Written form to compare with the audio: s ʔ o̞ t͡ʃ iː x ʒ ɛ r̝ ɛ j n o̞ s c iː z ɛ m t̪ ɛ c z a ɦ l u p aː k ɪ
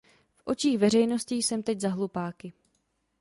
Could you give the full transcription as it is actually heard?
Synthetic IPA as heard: f ʔ o̞ t͡ʃ iː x v ɛ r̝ ɛ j n o̞ s c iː s ɛ m t̪ ɛ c z a ɦ l u p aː k ɪ